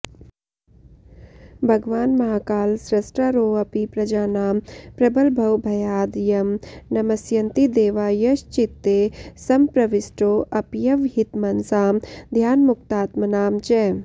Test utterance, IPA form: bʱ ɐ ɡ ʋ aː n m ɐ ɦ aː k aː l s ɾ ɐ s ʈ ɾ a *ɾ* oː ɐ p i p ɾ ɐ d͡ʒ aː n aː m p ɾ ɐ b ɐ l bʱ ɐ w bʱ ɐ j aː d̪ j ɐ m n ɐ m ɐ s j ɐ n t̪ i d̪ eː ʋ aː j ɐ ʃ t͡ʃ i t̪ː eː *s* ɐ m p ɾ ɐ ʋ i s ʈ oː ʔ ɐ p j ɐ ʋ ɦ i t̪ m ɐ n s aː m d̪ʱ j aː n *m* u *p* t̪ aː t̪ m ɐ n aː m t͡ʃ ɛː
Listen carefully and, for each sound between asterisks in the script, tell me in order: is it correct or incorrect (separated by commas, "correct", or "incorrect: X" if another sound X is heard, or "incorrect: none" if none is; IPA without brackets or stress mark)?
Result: correct, correct, correct, incorrect: k